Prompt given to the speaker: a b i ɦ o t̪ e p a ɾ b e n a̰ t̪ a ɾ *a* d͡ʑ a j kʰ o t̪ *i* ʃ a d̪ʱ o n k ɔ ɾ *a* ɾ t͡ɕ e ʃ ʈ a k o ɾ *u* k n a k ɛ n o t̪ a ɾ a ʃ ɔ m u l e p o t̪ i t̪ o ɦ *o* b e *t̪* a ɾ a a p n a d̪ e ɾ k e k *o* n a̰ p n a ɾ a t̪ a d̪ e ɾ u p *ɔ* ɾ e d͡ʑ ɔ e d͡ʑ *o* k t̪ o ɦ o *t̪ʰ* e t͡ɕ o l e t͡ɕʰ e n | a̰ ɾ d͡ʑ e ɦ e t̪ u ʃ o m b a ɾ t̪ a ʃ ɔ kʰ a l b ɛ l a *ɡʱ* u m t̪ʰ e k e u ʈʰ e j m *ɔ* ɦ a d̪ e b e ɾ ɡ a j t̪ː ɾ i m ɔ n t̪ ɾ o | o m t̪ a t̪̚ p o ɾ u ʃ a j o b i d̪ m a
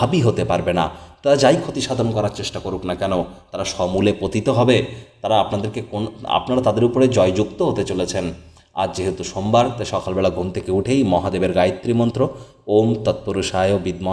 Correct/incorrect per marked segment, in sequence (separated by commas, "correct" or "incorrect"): correct, correct, correct, correct, incorrect, correct, correct, incorrect, incorrect, incorrect, correct, correct